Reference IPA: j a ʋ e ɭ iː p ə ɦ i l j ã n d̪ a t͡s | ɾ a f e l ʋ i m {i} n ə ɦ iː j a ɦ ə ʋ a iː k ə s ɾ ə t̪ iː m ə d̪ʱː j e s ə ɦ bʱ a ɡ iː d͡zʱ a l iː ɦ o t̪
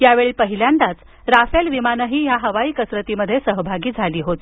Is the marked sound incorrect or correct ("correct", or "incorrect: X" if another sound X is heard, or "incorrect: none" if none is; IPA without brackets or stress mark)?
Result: incorrect: a